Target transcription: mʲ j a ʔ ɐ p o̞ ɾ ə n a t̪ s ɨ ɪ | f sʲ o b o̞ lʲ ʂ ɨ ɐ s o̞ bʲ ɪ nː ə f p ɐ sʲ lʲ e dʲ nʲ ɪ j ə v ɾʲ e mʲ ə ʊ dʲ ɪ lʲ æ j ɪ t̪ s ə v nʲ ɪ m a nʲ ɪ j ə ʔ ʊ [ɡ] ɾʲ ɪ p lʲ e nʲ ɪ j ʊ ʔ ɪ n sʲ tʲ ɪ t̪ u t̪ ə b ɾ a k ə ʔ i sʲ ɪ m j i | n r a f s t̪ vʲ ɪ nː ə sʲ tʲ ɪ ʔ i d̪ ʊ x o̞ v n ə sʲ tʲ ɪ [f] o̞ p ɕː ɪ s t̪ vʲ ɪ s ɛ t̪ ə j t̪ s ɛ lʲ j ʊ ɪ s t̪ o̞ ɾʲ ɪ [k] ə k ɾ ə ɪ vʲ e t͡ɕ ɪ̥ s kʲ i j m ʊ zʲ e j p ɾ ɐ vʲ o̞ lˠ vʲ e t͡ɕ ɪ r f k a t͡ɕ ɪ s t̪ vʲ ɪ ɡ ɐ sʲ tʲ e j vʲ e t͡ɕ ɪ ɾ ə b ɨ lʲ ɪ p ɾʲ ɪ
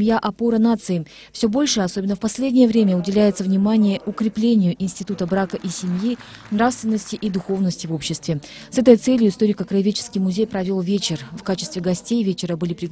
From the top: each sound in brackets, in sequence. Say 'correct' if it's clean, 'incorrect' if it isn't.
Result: incorrect: k, incorrect: v, correct

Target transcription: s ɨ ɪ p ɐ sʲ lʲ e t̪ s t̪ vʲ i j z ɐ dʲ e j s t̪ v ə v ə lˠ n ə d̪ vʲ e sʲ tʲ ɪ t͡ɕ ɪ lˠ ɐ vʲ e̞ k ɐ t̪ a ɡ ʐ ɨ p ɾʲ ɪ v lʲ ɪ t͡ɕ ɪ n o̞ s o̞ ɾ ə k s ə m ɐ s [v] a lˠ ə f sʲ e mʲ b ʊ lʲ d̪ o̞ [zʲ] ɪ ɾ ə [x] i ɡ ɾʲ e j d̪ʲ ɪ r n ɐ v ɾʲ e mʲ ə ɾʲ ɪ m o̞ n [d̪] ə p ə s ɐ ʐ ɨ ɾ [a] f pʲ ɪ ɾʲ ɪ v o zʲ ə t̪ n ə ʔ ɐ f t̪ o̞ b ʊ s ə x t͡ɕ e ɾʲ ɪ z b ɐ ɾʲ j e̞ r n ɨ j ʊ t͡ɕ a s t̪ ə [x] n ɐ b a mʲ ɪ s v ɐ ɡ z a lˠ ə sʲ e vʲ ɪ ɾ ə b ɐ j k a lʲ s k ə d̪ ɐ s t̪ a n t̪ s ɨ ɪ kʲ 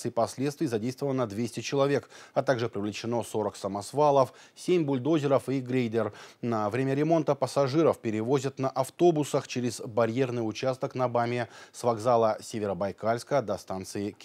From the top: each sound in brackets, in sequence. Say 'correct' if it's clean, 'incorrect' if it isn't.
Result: correct, correct, incorrect: f, incorrect: t̪, incorrect: ə, incorrect: k

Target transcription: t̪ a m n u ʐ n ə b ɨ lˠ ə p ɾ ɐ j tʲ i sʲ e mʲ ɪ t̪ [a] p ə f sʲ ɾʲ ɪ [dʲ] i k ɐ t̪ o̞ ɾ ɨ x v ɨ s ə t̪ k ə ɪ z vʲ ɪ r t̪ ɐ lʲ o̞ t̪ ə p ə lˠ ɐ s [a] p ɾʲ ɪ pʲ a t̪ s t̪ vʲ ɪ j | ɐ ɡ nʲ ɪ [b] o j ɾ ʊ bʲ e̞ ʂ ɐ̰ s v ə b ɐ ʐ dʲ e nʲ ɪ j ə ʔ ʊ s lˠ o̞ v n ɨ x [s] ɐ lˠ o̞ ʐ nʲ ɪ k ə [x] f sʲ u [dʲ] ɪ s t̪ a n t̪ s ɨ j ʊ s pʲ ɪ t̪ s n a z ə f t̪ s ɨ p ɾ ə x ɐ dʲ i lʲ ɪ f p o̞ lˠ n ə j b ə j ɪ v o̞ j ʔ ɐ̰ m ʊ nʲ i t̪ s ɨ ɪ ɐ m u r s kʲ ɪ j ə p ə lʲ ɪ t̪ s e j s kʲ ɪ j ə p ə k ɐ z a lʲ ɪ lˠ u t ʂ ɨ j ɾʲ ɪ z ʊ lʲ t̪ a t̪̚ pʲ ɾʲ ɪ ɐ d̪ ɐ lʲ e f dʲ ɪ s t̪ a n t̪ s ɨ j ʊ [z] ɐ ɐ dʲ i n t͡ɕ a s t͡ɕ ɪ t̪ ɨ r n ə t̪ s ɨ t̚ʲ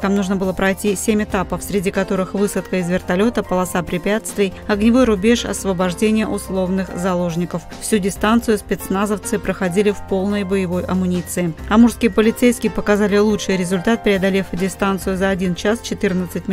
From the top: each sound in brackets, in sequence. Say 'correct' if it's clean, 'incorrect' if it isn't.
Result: correct, correct, correct, incorrect: v, incorrect: z, incorrect: f, correct, correct

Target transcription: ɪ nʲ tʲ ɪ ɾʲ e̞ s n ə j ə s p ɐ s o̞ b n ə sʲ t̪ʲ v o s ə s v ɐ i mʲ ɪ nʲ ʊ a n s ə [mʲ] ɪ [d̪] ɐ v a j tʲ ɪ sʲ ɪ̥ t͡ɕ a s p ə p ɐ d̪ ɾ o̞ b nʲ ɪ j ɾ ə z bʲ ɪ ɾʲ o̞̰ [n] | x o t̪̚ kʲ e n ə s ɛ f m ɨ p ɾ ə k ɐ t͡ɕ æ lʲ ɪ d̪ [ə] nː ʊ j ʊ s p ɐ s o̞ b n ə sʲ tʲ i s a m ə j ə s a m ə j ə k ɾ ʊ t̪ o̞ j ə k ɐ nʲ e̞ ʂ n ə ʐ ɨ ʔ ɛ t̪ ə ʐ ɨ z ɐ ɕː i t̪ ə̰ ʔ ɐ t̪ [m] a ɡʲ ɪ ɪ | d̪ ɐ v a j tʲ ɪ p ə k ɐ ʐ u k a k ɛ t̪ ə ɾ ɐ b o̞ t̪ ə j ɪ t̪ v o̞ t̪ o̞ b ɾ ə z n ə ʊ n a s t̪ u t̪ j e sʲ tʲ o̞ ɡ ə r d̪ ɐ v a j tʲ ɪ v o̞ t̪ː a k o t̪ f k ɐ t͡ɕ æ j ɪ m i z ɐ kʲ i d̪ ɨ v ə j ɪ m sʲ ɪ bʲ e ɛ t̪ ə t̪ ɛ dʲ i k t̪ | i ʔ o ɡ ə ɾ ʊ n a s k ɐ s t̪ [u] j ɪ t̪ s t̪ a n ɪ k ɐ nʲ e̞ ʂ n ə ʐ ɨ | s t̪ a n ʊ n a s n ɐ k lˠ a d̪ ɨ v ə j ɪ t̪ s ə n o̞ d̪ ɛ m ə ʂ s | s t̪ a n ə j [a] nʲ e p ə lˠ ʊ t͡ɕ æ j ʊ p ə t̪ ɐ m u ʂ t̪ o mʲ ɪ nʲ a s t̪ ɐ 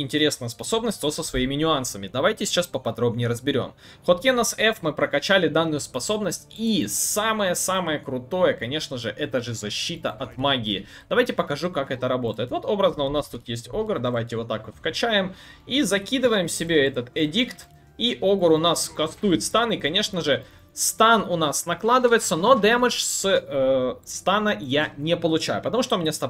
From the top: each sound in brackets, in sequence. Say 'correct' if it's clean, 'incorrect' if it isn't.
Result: correct, correct, incorrect: m, incorrect: a, correct, correct, correct

